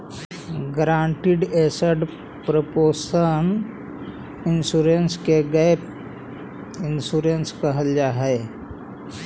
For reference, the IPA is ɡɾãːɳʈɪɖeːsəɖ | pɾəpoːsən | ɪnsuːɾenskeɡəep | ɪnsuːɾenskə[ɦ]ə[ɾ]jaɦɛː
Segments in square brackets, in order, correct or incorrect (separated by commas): correct, incorrect